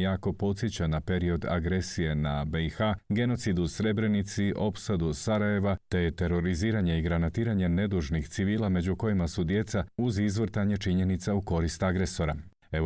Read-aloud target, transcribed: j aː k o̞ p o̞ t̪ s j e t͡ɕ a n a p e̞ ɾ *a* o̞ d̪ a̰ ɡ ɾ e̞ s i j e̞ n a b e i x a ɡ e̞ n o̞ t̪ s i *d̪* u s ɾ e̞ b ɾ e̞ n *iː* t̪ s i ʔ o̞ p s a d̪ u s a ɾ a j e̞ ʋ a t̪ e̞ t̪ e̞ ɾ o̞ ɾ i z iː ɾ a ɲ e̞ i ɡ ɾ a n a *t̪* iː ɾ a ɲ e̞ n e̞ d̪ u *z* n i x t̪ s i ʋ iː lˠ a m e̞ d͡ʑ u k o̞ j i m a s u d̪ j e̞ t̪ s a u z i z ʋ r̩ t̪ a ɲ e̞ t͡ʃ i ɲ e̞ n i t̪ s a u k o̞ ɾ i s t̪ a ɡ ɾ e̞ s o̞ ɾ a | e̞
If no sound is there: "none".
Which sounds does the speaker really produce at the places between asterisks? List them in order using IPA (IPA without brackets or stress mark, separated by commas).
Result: i, d̪, i, t̪, ʒ